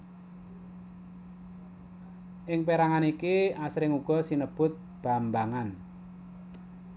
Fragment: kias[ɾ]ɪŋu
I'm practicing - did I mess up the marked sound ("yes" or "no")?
no